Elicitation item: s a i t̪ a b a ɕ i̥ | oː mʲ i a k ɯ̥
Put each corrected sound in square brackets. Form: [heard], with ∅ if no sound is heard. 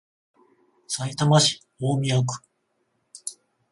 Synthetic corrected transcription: s a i t̪ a [m] a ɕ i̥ | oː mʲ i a k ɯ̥